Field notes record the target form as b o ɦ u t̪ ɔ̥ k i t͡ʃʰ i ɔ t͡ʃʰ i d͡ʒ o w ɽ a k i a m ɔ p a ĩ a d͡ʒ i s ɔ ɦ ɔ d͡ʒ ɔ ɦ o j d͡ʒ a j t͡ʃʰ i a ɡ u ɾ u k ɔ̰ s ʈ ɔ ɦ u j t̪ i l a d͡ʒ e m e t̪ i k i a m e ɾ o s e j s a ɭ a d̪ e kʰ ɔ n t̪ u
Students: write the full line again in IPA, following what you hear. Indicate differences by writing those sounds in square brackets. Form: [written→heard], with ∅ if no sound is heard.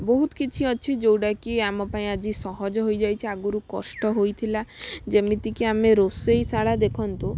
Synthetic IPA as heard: b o ɦ u t̪ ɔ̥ k i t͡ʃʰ i ɔ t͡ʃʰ i d͡ʒ o w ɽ a k i a m ɔ p a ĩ a d͡ʒ i s ɔ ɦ ɔ d͡ʒ ɔ ɦ o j d͡ʒ a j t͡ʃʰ i a ɡ u ɾ u k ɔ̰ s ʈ ɔ ɦ [u→o] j [t̪→t̪ʰ] i l a d͡ʒ e m [e→i] t̪ i k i a m e ɾ o s e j s a ɭ a d̪ e kʰ ɔ n t̪ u